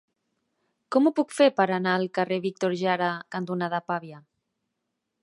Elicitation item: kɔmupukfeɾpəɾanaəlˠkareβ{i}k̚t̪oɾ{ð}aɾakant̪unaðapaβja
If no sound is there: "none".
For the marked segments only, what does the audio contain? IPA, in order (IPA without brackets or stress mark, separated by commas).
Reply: i, ʒ